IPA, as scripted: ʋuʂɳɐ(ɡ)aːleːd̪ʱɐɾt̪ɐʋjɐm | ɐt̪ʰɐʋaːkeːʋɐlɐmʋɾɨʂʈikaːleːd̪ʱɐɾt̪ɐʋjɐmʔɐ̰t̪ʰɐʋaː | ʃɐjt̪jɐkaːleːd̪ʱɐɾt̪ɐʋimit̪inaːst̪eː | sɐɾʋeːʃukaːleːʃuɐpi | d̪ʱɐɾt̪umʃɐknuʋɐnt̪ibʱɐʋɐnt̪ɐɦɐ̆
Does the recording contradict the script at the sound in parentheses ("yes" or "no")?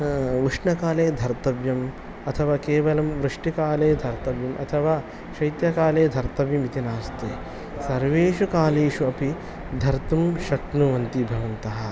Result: yes